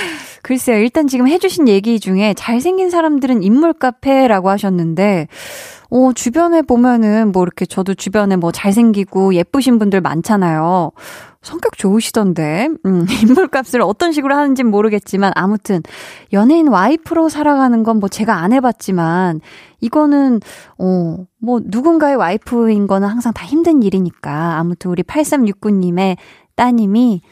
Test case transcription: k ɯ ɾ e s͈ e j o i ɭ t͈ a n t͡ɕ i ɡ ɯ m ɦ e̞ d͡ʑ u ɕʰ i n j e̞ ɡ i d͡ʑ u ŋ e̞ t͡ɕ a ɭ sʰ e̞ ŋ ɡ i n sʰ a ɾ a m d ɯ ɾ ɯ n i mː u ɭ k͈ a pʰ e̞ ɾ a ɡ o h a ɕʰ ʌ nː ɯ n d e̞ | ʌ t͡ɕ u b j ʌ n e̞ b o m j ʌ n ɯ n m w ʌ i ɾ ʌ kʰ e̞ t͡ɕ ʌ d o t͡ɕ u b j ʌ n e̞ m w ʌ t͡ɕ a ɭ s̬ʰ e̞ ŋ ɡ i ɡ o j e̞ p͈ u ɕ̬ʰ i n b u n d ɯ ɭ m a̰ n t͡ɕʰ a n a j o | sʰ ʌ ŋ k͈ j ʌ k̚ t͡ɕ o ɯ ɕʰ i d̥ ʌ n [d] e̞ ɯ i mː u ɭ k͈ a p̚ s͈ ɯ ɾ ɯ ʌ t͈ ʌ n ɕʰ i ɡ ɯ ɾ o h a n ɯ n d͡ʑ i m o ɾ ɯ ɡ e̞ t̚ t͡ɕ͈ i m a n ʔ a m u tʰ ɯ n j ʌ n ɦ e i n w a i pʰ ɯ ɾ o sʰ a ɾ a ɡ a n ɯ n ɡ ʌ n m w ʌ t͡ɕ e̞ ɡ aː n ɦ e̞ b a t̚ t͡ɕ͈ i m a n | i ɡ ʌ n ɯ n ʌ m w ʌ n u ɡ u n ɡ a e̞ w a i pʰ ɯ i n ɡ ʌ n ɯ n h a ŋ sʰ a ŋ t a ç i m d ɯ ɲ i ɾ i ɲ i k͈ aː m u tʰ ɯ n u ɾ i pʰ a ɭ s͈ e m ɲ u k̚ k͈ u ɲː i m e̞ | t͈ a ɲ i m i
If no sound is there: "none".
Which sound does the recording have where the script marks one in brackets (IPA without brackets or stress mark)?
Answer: d